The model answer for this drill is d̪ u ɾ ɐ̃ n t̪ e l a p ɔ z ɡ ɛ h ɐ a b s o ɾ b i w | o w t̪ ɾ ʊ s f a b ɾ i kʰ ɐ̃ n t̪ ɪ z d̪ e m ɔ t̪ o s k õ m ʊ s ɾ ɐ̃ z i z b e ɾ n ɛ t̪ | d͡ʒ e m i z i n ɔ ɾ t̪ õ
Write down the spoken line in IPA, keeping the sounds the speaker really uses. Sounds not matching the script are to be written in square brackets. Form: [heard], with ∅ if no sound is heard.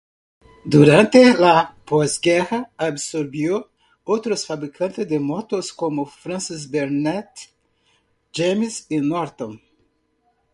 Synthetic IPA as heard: d̪ u ɾ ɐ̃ n t̪ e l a p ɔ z ɡ ɛ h ɐ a b s o ɾ b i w | o w t̪ ɾ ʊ s f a b ɾ i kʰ ɐ̃ n t̪ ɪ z d̪ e m ɔ t̪ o s k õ m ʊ [f] ɾ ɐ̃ [s] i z b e ɾ n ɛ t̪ | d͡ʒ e m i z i n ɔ ɾ t̪ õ